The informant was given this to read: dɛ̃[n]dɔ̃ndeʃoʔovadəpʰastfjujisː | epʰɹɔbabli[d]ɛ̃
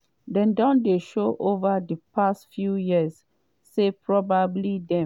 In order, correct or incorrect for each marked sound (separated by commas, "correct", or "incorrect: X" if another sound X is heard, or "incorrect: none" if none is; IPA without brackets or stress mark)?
correct, correct